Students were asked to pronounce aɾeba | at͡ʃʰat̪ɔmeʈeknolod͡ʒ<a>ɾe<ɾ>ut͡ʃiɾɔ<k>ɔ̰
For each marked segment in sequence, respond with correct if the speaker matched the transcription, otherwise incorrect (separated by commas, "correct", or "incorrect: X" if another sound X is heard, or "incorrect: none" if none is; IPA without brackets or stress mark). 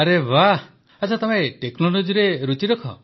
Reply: incorrect: i, correct, incorrect: kʰ